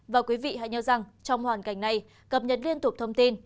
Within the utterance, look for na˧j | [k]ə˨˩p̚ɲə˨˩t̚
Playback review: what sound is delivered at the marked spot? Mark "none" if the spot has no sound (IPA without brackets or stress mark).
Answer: k